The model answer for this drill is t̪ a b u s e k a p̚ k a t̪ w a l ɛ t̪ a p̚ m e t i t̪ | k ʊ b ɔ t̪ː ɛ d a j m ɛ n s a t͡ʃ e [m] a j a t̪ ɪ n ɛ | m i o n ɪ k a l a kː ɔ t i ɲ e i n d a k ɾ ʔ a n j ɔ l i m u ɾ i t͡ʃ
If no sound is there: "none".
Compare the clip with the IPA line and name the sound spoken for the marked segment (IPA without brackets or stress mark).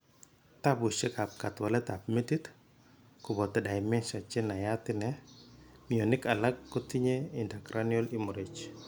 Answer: n